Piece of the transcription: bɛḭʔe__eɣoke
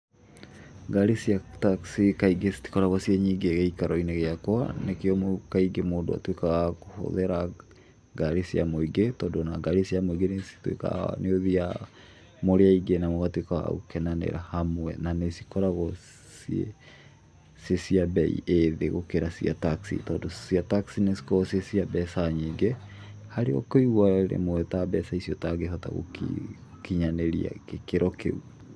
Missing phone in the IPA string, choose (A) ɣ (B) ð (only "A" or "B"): B